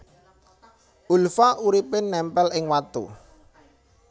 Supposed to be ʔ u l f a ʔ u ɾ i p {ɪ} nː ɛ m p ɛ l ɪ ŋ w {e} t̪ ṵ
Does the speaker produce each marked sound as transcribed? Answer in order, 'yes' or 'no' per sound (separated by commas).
yes, no